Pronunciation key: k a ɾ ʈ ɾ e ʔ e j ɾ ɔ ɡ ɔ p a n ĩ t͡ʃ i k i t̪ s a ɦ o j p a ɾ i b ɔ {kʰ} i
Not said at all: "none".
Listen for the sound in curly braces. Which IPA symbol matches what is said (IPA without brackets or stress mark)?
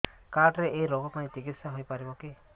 k